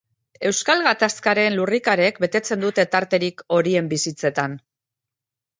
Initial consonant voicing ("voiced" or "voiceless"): voiced